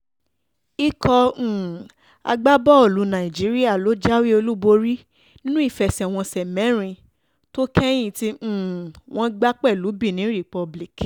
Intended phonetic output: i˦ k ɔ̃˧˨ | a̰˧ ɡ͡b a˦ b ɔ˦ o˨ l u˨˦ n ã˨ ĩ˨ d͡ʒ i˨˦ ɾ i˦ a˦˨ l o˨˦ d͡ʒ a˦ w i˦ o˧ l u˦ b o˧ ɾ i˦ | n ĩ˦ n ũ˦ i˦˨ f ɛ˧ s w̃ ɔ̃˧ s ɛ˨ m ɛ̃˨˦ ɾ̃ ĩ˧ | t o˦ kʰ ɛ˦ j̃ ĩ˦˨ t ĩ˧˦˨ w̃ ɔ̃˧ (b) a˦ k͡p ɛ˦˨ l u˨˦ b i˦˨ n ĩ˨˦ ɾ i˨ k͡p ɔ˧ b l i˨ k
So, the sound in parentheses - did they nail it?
no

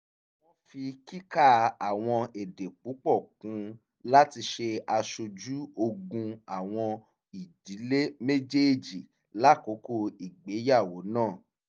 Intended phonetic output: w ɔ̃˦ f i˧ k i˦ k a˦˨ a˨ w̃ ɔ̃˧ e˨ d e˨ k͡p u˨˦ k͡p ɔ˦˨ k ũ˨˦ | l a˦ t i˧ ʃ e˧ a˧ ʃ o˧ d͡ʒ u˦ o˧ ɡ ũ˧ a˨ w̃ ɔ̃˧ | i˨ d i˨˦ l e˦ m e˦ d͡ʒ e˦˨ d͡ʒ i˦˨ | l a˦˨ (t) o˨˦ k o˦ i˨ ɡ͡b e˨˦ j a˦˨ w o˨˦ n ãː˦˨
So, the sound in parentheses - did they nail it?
no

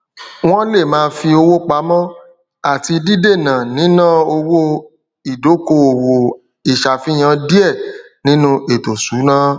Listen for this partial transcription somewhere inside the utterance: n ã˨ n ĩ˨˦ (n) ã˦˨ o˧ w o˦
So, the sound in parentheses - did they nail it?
yes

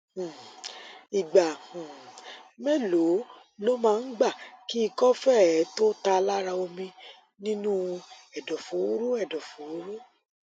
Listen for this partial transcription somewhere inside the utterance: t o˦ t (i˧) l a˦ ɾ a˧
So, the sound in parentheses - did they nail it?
no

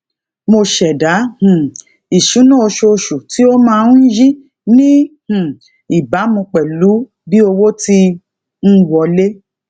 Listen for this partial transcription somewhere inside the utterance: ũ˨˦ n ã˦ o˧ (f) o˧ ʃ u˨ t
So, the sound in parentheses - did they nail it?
no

